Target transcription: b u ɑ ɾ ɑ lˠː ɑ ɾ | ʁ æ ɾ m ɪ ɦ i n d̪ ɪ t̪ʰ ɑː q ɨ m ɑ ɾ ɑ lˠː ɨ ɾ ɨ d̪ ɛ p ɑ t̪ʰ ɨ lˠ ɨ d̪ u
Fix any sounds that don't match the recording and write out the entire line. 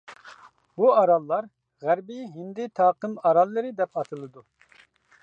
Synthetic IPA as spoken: b u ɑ ɾ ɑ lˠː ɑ ɾ | ʁ æ ɾ b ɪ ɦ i n d̪ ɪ t̪ʰ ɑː q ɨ m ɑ ɾ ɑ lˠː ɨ ɾ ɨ d̪ ɛ p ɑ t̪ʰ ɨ lˠ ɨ d̪ u